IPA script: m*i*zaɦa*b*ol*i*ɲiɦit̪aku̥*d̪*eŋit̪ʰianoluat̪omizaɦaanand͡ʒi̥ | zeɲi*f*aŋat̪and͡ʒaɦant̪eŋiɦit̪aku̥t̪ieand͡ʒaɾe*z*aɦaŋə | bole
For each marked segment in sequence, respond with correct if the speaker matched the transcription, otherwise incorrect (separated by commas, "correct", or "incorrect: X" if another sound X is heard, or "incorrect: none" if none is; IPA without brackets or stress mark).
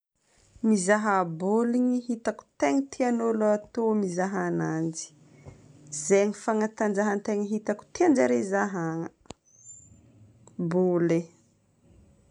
correct, correct, correct, incorrect: t̪, correct, correct